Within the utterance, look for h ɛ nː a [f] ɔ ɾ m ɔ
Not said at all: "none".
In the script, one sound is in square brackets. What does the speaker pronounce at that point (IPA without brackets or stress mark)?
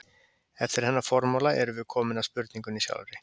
f